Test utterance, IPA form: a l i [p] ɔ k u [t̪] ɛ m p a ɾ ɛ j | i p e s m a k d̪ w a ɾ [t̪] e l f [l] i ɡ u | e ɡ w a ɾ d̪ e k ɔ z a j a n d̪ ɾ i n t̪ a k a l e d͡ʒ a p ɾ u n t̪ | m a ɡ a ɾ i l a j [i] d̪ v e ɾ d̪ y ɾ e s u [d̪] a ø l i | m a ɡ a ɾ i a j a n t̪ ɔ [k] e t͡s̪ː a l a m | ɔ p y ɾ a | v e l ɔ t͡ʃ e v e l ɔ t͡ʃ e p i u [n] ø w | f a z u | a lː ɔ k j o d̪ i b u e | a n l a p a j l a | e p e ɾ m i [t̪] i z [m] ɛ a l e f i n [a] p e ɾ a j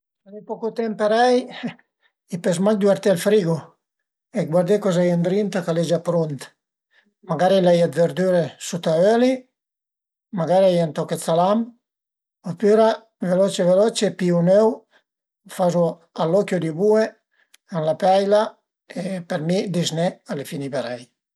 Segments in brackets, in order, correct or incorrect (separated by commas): correct, correct, correct, incorrect, incorrect, incorrect, correct, correct, incorrect, incorrect, incorrect